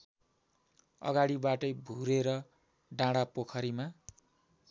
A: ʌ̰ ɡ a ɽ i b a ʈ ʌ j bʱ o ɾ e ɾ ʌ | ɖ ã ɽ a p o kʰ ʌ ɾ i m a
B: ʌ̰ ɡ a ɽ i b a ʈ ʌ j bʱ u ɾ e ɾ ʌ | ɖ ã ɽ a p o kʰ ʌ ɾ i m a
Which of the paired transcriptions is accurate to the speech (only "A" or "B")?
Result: B